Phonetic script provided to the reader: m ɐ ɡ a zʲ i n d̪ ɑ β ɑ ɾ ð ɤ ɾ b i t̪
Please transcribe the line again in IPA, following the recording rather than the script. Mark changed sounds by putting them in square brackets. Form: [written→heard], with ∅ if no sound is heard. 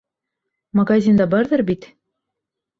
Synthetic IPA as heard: m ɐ ɡ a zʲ i n d̪ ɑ [β→b] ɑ ɾ ð ɤ ɾ b i t̪